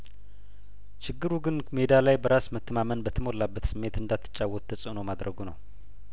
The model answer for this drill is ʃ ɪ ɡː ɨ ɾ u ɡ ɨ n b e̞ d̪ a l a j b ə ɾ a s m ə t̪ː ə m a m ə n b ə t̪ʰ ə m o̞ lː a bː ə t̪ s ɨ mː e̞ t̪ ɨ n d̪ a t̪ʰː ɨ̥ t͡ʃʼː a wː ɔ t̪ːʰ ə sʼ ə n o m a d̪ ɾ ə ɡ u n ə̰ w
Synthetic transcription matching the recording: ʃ ɪ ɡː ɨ ɾ u ɡ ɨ n m e̞ d̪ a l a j b ə ɾ a s m ə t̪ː ə m a m ə n b ə t̪ʰ ə m o̞ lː a bː ə t̪ s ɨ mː e̞ t̪ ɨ n d̪ a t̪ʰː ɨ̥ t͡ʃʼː a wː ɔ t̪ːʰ ə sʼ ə n o m a d̪ ɾ ə ɡ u n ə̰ w